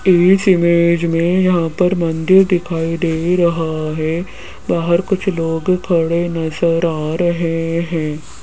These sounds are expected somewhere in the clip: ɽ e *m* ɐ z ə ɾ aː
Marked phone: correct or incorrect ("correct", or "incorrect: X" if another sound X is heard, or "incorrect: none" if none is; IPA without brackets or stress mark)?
incorrect: n